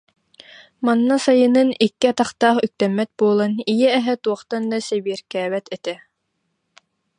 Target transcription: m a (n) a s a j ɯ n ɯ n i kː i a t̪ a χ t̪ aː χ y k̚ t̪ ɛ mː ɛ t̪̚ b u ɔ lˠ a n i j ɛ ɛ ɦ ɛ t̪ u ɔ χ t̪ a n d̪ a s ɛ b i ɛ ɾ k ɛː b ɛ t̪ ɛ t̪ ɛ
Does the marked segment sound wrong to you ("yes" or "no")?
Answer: yes